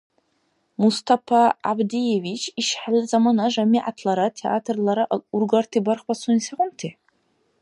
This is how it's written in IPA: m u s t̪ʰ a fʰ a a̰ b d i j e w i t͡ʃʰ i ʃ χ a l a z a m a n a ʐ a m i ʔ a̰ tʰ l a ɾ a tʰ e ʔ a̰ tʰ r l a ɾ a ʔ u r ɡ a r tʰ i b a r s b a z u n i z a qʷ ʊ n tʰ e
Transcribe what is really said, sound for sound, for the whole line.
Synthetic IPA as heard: m u s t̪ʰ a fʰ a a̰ b d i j e v i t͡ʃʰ i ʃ ħ a l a z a m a n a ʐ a m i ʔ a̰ tʰ l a ɾ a tʰ e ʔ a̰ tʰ r l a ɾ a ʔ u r ɡ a r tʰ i b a r χ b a s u n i s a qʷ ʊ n tʰ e